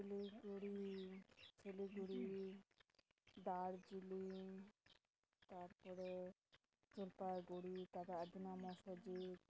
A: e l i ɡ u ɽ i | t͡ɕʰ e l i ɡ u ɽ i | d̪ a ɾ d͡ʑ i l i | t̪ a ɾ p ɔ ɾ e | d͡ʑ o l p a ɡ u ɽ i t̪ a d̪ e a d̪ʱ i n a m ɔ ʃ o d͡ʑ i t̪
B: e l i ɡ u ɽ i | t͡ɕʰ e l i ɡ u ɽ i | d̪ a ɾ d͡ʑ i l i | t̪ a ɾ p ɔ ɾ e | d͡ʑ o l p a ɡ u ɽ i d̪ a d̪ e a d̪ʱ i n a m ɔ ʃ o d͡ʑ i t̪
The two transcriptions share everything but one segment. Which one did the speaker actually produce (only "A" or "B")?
A